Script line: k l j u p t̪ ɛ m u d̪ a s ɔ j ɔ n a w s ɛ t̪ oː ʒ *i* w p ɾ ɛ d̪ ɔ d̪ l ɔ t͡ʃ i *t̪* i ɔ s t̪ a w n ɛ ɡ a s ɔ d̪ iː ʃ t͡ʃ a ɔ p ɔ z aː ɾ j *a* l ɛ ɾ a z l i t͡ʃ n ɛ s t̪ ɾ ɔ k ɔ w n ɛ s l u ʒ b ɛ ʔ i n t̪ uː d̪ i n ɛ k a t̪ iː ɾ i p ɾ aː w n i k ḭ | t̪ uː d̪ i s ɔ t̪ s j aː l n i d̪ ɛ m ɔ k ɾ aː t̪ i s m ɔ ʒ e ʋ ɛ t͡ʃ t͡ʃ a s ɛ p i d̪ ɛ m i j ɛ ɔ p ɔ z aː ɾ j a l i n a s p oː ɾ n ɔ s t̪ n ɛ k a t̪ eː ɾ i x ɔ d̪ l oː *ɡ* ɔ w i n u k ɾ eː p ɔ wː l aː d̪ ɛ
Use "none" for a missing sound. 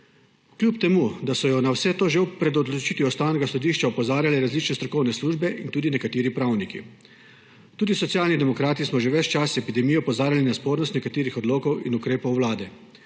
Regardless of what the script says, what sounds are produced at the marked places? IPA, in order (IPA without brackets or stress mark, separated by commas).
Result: e, t̪, a, k